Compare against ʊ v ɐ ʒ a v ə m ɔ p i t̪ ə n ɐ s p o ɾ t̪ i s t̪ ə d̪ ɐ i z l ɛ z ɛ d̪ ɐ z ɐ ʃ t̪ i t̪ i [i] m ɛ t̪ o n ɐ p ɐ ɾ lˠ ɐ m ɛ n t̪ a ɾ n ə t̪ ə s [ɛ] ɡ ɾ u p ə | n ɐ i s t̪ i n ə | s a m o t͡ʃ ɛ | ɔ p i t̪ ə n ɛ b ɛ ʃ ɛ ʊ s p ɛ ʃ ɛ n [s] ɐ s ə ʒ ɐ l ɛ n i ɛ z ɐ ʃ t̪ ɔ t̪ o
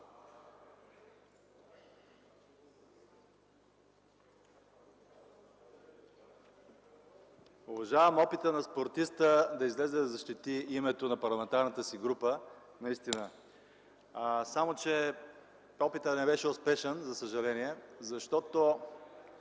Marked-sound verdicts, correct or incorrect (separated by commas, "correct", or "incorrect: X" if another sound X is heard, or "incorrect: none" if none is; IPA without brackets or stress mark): correct, incorrect: i, incorrect: z